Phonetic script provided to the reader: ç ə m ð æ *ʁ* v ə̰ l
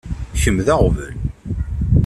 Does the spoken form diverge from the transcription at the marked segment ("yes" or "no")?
no